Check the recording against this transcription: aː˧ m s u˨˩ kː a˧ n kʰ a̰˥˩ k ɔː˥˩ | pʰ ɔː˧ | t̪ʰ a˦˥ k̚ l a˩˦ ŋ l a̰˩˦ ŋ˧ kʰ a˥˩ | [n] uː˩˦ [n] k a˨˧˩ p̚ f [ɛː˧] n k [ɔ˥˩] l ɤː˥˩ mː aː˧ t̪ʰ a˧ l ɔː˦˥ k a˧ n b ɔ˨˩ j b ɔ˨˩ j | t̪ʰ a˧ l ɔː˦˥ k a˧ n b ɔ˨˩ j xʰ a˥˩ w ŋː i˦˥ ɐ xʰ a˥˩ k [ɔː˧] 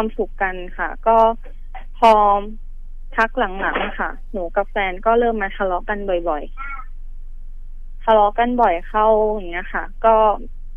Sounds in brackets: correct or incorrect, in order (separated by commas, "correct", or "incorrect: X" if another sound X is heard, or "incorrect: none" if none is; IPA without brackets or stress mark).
correct, incorrect: none, correct, incorrect: ɔː˥˩, incorrect: ɔː˥˩